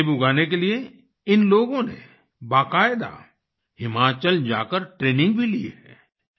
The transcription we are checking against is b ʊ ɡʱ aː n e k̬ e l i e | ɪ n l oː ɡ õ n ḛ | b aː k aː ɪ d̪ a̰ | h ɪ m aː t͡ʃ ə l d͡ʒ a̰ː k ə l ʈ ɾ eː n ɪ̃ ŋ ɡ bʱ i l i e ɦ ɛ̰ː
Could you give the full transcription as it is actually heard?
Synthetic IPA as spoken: b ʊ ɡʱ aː n e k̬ e l i e | ɪ n l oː ɡ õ n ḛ | b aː k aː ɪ d̪ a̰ | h ɪ m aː t͡ʃ ə l d͡ʒ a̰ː k ə ɾ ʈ ɾ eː n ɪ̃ ŋ ɡ bʱ i l i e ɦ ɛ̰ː